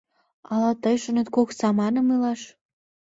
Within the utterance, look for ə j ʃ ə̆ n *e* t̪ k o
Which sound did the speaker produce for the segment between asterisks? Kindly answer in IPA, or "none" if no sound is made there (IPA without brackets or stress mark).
e